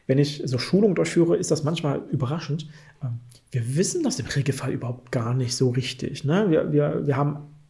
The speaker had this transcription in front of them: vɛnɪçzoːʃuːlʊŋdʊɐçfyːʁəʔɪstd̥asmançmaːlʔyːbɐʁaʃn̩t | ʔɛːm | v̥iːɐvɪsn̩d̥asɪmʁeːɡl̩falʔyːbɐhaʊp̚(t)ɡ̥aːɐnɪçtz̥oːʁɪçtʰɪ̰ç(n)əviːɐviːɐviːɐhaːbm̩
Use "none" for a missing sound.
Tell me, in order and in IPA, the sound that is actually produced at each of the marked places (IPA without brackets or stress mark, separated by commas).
t, n